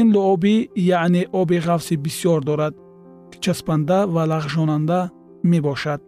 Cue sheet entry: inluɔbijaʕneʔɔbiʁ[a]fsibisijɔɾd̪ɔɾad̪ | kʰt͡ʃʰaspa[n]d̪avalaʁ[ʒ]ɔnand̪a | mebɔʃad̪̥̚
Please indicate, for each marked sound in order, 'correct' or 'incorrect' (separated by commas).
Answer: correct, correct, correct